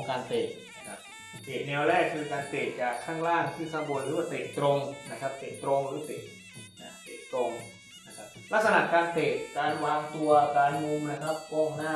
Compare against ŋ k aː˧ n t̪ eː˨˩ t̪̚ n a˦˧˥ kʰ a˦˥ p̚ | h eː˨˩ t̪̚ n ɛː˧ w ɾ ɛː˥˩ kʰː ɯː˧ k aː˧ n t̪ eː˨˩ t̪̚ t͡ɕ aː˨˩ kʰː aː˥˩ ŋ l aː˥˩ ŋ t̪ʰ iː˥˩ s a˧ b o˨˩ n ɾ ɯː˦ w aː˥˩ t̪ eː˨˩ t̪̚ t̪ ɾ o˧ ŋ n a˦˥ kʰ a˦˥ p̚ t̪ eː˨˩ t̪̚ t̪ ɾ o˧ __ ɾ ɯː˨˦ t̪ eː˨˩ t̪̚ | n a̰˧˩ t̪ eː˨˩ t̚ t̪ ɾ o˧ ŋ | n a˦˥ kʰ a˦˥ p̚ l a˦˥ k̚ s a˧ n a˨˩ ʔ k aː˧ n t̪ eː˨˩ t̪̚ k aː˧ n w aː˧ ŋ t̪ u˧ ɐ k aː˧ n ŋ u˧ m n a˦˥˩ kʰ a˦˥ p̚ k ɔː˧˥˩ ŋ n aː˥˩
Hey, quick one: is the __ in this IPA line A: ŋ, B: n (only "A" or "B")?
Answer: A